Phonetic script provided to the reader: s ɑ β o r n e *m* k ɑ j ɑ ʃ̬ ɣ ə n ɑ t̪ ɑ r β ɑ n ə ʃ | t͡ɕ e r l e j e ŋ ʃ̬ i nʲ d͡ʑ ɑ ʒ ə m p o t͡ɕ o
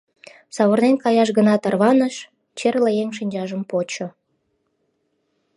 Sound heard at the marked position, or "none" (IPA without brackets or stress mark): n